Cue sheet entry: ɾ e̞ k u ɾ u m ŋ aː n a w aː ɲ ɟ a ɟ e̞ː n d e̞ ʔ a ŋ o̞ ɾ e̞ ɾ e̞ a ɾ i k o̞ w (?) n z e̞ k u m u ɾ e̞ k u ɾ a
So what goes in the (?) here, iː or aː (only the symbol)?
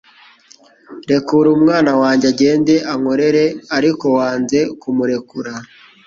aː